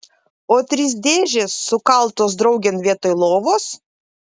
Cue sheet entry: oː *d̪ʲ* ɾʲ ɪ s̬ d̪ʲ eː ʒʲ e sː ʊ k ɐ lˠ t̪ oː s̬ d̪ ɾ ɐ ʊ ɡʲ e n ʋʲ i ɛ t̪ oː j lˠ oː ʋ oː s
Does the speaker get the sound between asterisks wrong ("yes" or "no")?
yes